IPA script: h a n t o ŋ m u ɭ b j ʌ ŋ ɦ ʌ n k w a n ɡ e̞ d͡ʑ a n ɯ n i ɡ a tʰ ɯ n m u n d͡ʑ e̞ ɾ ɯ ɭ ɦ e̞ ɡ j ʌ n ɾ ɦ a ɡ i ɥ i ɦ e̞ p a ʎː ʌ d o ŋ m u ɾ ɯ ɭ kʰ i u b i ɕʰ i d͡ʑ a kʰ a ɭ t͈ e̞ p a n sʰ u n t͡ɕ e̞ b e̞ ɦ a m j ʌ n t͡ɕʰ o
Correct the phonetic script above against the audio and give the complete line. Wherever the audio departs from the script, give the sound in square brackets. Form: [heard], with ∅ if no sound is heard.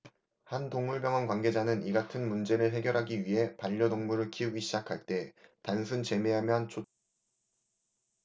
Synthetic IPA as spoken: h a n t o ŋ m u ɭ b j ʌ ŋ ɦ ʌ n k w a n ɡ e̞ d͡ʑ a n ɯ n i ɡ a tʰ ɯ n m u n d͡ʑ e̞ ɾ ɯ ɭ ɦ e̞ ɡ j ʌ [∅] ɾ ɦ a ɡ i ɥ i ɦ e̞ p a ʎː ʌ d o ŋ m u ɾ ɯ ɭ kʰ i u [ɡ] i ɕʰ i d͡ʑ a kʰ a ɭ t͈ e̞ [t] a n sʰ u n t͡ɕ e̞ [m] e̞ ɦ a m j ʌ n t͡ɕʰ o